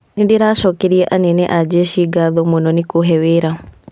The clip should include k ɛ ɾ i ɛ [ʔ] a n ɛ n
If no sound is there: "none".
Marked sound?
ʔ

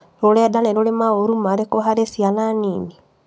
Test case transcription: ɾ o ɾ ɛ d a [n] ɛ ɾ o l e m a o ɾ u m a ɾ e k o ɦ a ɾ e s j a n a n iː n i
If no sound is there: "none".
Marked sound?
n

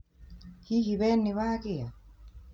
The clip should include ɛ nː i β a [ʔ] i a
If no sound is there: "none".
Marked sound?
k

